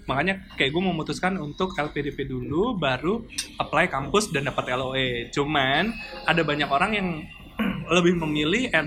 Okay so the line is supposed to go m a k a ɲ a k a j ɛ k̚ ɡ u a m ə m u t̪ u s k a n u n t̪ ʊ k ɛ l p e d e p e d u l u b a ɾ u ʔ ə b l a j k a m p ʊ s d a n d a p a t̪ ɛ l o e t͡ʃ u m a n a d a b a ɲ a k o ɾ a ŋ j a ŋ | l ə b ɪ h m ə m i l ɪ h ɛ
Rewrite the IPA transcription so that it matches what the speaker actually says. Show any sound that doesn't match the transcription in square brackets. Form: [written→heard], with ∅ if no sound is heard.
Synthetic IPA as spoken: m a k a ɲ a k a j [ɛ→a] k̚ ɡ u a m ə m u t̪ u s k a n u n t̪ ʊ k ɛ l p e d e p e d u l u b a ɾ u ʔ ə [b→p] l a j k a m p ʊ s d a n d a p a t̪ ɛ l o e t͡ʃ u m a n a d a b a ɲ a k o ɾ a ŋ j a ŋ | l ə b ɪ h m ə m i l ɪ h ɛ